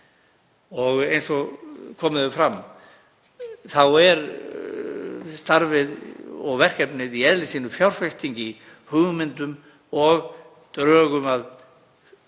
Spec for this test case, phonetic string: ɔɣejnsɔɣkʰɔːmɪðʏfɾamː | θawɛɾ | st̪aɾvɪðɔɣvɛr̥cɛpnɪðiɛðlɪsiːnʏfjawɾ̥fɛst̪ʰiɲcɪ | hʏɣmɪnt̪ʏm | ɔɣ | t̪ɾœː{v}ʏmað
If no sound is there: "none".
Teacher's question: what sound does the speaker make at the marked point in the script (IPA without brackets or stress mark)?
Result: ɣ